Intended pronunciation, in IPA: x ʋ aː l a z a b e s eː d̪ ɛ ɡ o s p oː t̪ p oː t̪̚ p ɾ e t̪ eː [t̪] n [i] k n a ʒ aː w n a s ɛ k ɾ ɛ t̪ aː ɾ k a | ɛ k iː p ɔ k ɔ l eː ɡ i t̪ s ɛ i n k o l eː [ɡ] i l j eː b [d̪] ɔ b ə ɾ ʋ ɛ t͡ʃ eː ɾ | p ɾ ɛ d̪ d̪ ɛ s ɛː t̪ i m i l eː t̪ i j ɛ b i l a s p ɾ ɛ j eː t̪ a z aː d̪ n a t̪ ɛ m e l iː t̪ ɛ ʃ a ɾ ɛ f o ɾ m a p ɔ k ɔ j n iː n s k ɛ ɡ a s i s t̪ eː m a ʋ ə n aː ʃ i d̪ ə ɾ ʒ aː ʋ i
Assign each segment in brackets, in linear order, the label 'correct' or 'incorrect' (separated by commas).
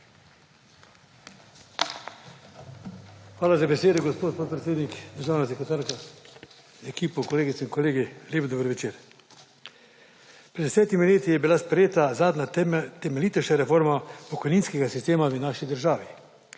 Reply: incorrect, correct, correct, correct